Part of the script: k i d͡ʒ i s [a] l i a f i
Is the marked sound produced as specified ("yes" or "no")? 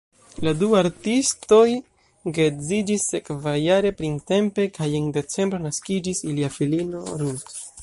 no